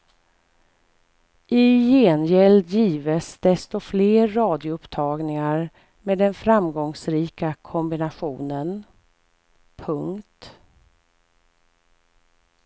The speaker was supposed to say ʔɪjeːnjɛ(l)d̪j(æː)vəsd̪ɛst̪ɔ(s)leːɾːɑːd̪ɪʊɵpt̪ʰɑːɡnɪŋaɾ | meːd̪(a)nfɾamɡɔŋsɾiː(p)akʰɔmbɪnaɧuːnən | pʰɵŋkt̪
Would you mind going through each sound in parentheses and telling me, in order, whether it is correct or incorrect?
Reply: correct, incorrect, incorrect, incorrect, incorrect

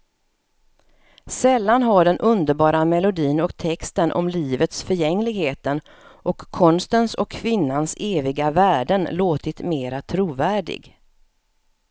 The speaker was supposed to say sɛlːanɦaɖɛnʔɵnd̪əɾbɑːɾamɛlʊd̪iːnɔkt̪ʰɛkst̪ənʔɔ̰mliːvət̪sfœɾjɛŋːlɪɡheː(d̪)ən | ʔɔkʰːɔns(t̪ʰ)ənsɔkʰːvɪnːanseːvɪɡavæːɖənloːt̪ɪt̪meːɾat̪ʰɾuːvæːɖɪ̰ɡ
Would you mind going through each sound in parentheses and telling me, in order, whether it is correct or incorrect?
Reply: incorrect, incorrect

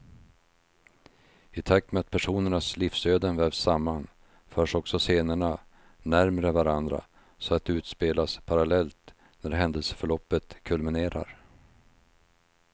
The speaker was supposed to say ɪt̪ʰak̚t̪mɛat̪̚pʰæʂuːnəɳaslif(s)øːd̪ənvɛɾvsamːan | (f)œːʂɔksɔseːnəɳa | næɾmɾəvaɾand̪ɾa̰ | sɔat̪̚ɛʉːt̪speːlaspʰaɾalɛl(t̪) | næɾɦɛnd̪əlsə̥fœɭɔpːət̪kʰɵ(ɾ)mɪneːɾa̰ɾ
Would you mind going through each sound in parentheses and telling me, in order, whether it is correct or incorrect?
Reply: correct, correct, correct, incorrect

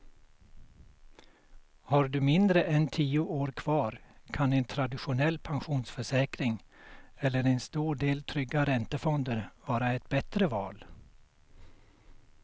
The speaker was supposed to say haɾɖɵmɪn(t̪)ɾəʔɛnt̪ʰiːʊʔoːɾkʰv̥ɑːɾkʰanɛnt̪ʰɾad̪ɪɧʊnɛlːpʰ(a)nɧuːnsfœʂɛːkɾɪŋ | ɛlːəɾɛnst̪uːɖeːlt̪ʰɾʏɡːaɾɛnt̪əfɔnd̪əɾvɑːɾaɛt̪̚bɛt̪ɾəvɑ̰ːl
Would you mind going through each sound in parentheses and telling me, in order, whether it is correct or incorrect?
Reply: incorrect, correct

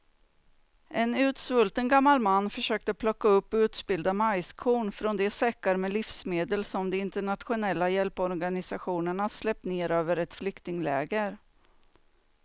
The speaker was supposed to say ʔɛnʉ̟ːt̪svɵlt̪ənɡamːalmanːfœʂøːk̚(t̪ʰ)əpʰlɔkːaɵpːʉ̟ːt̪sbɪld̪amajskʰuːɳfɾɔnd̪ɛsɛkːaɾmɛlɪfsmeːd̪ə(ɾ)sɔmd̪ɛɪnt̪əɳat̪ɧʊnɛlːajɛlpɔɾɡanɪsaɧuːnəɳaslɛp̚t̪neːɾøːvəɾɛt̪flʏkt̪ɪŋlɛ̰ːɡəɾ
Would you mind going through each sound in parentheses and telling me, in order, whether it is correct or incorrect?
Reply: incorrect, incorrect

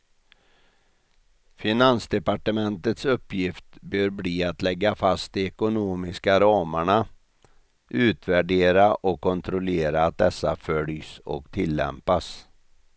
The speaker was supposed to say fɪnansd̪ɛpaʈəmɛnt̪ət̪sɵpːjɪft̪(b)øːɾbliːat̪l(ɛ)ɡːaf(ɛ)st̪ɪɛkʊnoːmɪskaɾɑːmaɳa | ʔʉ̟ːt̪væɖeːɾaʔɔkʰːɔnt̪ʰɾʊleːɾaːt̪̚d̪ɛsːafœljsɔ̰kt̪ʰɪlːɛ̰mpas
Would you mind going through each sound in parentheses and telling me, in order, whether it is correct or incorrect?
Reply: correct, correct, incorrect

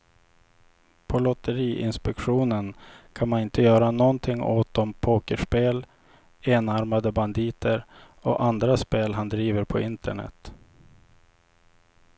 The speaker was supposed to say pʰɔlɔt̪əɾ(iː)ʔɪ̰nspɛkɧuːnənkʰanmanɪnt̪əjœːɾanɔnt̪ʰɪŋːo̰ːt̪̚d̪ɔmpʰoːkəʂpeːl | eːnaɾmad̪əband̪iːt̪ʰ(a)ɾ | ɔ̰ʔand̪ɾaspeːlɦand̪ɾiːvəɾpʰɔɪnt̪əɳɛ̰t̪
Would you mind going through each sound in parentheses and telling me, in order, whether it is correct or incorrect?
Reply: correct, incorrect

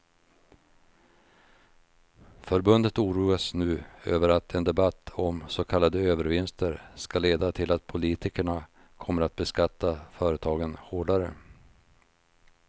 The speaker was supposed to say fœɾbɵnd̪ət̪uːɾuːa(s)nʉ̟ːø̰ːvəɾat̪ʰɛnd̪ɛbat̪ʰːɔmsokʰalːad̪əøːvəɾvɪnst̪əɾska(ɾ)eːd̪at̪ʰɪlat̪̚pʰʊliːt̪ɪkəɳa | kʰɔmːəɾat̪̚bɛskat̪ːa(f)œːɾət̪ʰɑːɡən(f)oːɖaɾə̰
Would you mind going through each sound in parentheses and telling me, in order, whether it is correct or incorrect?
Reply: correct, incorrect, correct, incorrect

